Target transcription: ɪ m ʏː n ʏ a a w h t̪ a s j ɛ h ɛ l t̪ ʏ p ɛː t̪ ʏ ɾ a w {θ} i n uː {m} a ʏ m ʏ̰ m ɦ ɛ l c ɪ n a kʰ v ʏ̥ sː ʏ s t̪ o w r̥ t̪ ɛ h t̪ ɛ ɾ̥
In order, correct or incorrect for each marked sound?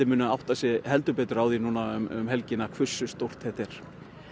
incorrect: ð, incorrect: n

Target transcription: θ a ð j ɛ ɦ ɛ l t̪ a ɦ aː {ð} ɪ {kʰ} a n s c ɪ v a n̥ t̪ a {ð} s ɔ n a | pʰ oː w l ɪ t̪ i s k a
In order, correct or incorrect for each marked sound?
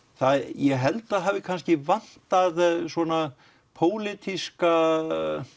incorrect: v, correct, correct

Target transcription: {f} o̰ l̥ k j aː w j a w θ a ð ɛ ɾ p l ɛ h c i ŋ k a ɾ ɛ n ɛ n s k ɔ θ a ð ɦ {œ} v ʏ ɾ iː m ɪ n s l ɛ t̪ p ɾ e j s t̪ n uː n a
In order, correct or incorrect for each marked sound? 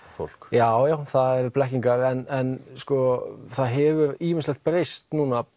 correct, incorrect: ɛ

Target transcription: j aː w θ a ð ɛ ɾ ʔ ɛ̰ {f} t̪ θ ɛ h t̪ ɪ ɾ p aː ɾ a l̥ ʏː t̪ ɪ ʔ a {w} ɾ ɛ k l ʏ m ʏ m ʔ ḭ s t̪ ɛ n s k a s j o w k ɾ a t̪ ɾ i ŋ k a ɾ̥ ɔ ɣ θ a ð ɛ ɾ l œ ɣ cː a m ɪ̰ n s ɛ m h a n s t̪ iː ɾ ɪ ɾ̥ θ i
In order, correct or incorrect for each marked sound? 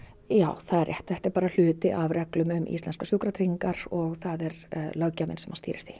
incorrect: h, incorrect: v

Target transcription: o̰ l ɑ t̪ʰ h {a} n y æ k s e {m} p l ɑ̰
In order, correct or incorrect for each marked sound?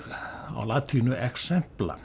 incorrect: i, correct

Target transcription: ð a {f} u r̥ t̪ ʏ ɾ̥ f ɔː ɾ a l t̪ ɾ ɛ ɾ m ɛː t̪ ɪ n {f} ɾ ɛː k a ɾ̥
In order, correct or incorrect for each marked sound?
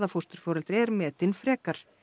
correct, correct

